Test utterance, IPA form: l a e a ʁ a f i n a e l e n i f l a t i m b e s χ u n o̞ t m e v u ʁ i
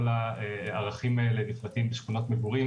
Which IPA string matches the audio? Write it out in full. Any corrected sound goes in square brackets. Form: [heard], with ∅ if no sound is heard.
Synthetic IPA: l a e a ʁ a [χ] i [m] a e l e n i f l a t i m b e [ʃ] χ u n o̞ t m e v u ʁ i